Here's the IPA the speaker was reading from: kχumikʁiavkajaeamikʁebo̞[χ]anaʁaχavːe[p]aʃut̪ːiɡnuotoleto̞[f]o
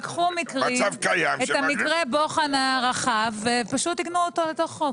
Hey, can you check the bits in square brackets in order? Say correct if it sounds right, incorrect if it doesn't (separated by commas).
correct, correct, incorrect